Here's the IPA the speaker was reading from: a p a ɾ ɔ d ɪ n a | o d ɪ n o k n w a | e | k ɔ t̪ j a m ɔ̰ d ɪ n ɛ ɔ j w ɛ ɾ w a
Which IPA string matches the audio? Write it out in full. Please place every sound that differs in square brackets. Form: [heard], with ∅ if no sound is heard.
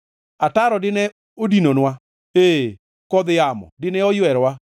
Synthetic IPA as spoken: a [t] a ɾ ɔ d ɪ n [ɛ] | o d [i] n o [∅] n w a | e | k ɔ [d̪] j a m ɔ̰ d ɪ n ɛ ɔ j w ɛ ɾ w a